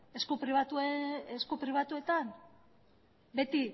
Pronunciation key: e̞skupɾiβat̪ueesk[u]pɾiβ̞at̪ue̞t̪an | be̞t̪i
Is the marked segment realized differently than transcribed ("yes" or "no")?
no